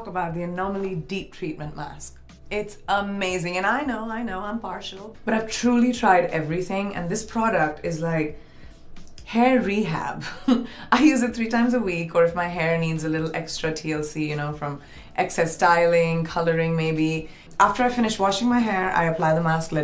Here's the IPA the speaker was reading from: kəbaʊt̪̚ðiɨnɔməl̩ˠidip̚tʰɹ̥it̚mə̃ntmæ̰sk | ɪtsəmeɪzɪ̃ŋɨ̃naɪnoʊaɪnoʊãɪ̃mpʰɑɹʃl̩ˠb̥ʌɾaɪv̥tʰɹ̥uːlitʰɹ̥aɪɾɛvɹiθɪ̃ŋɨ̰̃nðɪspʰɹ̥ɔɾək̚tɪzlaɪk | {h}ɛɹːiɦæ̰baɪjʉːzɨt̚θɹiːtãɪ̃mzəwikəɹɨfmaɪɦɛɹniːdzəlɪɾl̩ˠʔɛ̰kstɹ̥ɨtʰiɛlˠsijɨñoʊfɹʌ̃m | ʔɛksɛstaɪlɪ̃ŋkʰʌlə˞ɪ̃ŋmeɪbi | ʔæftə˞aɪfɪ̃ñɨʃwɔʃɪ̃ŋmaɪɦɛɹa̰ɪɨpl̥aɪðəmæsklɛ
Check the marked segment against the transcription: correct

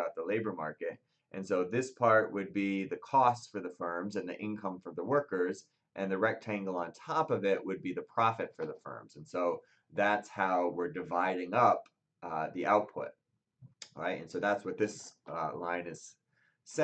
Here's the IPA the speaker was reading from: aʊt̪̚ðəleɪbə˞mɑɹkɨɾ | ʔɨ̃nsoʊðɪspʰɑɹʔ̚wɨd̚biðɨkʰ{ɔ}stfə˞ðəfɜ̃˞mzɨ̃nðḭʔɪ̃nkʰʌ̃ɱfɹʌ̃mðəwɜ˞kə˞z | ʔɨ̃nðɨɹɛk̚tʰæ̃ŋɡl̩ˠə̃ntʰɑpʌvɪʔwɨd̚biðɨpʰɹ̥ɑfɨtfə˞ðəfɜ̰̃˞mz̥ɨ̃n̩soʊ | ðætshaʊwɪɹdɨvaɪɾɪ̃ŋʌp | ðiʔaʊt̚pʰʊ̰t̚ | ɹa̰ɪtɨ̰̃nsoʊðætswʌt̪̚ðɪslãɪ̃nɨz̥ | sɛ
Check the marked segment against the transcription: correct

